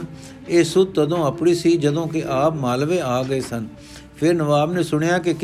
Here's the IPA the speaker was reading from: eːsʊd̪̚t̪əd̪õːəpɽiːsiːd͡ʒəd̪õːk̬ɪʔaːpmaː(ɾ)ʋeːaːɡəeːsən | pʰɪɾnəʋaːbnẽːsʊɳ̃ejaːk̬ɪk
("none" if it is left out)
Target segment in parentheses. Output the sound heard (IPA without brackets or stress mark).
l